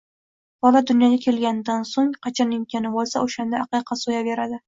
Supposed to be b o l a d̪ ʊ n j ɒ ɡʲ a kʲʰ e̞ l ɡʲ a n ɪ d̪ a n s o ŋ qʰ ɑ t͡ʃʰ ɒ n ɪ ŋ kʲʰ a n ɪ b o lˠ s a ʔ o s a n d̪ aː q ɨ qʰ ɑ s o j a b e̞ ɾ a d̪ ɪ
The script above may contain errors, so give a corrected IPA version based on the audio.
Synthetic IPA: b ɒ l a d̪ ʊ n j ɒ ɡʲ a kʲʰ e̞ l ɡʲ a n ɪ d̪ a n s o ŋ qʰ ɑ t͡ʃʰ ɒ n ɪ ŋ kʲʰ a n ɪ b o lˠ s a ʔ o ʃ a n d̪ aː q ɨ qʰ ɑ s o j a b e̞ ɾ a d̪ ɪ